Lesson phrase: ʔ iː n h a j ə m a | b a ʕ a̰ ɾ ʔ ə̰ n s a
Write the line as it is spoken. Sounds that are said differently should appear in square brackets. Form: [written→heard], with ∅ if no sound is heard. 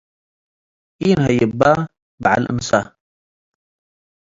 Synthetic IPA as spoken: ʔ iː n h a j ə [m→b] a | b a ʕ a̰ [ɾ→l] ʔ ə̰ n s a